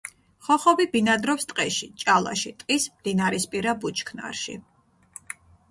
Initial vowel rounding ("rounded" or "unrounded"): rounded